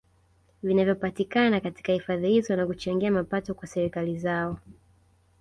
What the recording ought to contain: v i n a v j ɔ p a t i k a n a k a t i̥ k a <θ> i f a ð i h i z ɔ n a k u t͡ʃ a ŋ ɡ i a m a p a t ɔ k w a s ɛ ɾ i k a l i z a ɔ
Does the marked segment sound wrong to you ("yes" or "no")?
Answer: yes